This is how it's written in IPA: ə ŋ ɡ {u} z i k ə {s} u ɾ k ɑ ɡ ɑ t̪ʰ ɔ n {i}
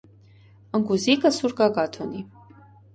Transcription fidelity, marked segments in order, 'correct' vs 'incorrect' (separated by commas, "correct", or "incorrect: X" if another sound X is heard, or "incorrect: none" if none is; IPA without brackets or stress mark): correct, correct, correct